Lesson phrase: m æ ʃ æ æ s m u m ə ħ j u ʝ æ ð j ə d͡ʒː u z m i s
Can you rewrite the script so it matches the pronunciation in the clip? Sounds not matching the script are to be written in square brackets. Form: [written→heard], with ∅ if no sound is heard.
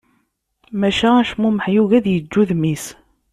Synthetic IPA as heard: m æ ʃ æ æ [s→ʃ] m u m ə ħ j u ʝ æ ð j ə d͡ʒː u [z→ð] m i s